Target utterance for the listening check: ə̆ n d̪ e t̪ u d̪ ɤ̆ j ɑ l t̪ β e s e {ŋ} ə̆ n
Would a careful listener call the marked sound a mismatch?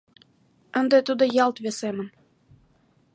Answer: yes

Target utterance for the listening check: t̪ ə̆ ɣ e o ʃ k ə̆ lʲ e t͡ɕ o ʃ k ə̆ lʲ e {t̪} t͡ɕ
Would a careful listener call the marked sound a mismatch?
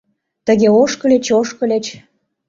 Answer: yes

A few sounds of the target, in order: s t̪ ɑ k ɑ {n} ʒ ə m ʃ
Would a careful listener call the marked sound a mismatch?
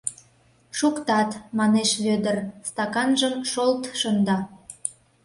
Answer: no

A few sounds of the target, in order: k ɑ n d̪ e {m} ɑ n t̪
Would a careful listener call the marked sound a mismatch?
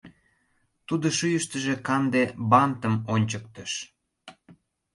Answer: yes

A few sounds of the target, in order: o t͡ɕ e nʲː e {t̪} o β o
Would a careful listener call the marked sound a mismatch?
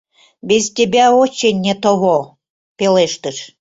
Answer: no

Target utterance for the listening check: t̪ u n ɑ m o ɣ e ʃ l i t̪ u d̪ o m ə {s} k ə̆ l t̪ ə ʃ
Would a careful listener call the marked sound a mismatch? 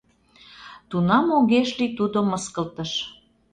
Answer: no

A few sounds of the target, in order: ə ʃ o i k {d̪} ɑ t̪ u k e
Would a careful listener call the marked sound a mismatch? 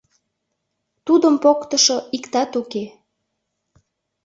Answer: yes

